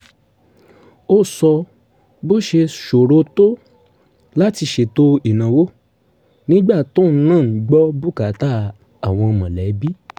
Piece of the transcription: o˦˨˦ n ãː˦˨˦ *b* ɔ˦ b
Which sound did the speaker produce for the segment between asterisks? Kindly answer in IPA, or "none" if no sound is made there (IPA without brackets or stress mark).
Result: ɡ͡b